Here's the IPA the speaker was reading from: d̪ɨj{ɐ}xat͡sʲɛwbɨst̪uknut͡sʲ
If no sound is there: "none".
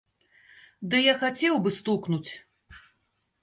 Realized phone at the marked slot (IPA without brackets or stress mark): a